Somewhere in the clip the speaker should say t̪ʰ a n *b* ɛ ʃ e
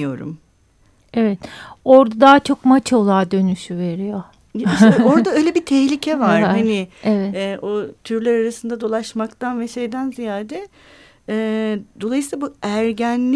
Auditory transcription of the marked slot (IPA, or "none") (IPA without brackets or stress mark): v